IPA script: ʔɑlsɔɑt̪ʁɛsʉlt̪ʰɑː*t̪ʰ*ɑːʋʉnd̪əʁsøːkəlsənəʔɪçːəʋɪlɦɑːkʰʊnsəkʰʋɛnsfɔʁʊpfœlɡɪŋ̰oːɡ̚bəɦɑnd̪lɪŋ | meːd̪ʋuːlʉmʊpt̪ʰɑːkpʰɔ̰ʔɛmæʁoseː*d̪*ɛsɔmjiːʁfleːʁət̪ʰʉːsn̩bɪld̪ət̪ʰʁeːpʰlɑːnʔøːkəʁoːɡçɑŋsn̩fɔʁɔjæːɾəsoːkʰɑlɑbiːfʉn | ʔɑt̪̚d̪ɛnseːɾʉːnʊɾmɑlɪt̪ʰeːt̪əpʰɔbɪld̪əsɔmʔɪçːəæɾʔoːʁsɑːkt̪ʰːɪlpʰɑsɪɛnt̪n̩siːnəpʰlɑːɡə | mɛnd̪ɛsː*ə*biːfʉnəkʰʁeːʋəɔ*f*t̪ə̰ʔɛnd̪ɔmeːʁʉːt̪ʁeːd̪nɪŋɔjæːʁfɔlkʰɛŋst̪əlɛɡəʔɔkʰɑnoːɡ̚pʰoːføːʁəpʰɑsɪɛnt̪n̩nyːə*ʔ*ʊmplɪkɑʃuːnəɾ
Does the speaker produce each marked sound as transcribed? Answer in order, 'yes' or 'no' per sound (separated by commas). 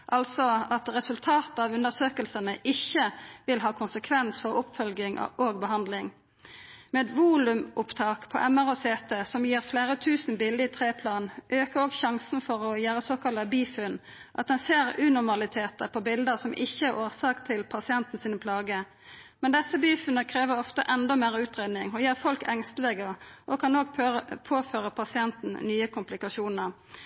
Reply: no, no, yes, yes, no